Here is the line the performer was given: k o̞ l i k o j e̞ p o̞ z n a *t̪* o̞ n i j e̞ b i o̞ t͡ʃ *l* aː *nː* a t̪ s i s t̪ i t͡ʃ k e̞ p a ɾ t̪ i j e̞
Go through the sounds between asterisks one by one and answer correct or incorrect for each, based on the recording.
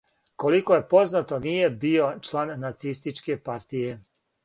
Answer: correct, correct, correct

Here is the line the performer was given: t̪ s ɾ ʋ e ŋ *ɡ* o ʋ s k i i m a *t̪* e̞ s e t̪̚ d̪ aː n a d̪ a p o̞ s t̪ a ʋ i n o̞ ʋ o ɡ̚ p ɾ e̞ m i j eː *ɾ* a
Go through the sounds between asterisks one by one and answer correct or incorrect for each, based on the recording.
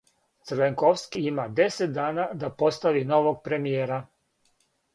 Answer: incorrect: k, incorrect: d̪, correct

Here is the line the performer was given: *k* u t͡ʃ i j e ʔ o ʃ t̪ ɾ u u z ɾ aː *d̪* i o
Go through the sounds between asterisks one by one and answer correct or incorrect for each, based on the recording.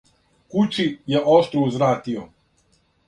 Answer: correct, incorrect: t̪

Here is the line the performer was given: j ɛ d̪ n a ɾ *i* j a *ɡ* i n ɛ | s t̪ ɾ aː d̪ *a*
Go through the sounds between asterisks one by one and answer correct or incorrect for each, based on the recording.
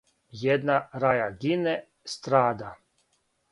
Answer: incorrect: a, correct, correct

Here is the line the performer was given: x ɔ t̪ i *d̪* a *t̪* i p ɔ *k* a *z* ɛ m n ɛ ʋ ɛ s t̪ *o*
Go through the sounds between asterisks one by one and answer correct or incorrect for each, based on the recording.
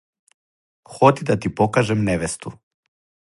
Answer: correct, correct, correct, incorrect: ʒ, incorrect: u

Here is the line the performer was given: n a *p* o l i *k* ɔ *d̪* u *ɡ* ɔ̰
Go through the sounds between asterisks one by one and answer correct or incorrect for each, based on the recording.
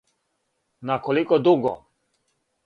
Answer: incorrect: k, correct, correct, correct

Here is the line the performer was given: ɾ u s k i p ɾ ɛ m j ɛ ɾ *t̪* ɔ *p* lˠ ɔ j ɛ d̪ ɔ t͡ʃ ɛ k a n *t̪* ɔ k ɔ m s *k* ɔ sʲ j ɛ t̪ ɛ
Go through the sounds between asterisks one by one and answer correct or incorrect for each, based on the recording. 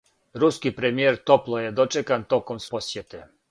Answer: correct, correct, correct, incorrect: p

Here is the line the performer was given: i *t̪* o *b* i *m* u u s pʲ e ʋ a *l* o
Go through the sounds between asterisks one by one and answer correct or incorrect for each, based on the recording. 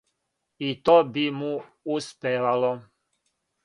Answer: correct, correct, correct, correct

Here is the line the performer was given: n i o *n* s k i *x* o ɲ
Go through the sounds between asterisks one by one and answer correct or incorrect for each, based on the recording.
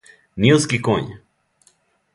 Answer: incorrect: none, incorrect: k

